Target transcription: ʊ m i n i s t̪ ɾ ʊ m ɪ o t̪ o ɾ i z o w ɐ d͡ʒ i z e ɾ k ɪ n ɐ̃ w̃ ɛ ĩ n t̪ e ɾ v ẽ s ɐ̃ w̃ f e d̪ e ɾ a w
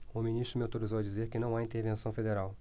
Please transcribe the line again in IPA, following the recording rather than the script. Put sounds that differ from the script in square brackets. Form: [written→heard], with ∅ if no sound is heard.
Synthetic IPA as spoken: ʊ m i n i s t̪ ɾ ʊ m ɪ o t̪ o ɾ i z o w ɐ d͡ʒ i z e ɾ k ɪ n ɐ̃ w̃ [ɛ→a] ĩ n t̪ e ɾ v ẽ s ɐ̃ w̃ f e d̪ e ɾ a w